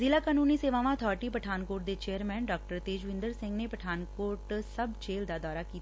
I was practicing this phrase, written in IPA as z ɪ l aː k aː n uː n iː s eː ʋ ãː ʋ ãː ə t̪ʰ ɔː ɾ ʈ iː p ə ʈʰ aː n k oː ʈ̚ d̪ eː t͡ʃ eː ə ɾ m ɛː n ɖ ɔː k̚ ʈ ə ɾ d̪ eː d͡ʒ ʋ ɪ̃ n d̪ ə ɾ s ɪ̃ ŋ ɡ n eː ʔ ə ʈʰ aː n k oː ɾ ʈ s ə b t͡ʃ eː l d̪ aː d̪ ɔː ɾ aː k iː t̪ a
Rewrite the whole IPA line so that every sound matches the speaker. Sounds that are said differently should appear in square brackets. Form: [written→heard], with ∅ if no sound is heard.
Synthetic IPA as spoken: z ɪ l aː k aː n uː n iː s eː ʋ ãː ʋ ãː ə t̪ʰ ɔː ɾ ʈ iː p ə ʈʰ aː n k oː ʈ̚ d̪ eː t͡ʃ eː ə ɾ m ɛː n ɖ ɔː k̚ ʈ ə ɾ [d̪→t̪] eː d͡ʒ ʋ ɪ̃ n d̪ ə ɾ s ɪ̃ ŋ ɡ n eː [ʔ→p] ə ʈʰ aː n k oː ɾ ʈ s ə b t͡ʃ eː l d̪ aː d̪ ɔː ɾ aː k iː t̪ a